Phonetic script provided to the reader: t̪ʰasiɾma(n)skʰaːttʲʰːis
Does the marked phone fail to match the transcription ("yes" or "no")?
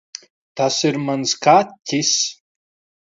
no